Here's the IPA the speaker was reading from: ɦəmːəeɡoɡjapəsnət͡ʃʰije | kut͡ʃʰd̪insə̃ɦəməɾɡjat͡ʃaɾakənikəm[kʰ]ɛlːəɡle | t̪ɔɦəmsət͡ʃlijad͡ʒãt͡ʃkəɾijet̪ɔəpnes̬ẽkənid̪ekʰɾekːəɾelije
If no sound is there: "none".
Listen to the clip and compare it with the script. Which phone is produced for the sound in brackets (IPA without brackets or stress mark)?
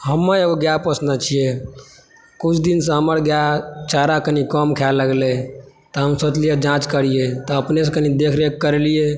kʰ